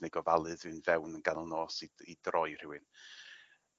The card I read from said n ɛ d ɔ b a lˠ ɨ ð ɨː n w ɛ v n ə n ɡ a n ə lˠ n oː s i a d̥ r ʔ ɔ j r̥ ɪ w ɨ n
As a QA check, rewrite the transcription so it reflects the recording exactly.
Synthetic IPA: n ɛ ɡ ɔ v a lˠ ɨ ð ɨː n v ɛ w n ə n ɡ a n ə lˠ n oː s i i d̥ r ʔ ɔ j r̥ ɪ w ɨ n